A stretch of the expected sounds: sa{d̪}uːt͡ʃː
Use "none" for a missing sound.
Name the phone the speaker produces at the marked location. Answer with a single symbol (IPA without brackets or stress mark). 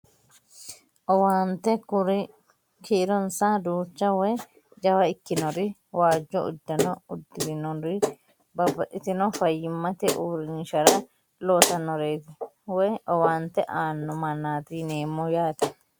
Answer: d̪